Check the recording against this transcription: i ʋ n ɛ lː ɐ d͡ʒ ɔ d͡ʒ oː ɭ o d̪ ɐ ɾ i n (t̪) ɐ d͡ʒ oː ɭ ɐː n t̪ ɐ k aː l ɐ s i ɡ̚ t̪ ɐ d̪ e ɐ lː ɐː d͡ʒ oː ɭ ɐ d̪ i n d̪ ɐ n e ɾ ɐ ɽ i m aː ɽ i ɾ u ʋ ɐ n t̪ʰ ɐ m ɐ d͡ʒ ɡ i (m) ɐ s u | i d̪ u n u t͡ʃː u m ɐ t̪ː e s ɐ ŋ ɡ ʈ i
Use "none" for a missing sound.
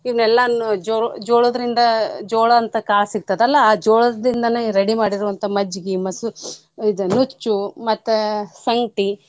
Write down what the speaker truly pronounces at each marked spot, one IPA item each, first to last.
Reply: d̪, m

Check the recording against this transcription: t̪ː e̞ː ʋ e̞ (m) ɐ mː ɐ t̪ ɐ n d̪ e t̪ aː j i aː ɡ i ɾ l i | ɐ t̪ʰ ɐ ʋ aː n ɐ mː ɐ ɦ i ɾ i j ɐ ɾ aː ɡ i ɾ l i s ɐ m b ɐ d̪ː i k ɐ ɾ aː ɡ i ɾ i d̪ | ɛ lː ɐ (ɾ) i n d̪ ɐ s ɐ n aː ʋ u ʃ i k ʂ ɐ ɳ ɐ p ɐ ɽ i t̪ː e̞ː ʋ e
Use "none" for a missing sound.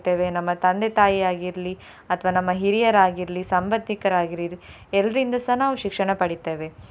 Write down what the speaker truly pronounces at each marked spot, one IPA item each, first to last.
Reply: n, ɾ

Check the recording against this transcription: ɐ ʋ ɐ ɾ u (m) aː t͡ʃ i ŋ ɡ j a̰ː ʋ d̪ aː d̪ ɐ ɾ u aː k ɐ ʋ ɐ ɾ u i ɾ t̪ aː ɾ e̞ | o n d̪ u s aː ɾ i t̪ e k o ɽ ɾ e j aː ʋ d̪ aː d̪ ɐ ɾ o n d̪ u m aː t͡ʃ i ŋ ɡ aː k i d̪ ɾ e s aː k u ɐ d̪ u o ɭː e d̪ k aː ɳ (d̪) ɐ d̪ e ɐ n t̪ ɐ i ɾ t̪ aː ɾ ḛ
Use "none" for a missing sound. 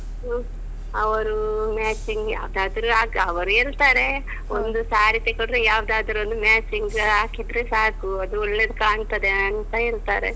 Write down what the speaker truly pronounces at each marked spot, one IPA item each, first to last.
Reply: m, t̪

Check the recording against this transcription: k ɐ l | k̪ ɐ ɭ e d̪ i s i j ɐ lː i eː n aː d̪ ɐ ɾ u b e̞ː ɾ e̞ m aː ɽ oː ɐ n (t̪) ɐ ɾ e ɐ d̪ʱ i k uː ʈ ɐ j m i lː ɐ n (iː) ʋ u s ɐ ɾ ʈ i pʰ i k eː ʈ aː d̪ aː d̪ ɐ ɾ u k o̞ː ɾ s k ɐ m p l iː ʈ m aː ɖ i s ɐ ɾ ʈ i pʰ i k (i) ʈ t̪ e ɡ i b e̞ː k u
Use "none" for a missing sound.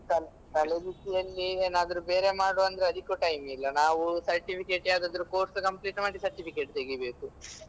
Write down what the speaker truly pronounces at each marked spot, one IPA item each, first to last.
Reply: d̪, aː, e

